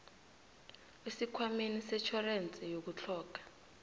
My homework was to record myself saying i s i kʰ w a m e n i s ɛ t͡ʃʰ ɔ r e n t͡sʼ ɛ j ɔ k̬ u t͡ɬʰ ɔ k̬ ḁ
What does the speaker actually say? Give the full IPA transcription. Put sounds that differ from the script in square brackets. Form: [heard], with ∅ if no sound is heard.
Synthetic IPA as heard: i s i kʰ w a m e n i s ɛ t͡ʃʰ ɔ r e n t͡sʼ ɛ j [o] k̬ u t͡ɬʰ [ɔː] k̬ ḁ